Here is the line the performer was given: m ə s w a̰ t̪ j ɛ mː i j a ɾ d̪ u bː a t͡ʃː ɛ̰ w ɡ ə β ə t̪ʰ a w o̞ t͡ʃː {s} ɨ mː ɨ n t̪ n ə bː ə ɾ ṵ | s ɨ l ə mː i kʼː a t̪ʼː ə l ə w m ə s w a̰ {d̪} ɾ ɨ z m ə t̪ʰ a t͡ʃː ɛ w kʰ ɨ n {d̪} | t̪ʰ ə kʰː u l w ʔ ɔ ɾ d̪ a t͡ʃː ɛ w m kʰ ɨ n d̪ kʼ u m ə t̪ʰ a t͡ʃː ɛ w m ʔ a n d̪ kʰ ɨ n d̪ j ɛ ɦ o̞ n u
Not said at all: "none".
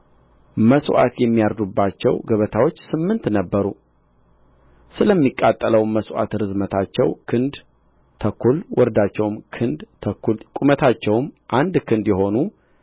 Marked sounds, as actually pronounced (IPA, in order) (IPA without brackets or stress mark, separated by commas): s, t̪, d̪